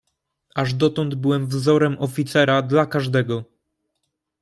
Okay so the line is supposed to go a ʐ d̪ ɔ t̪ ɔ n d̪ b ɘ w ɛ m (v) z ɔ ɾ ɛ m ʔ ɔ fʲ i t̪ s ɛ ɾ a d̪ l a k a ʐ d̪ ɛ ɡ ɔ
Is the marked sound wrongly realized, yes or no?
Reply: no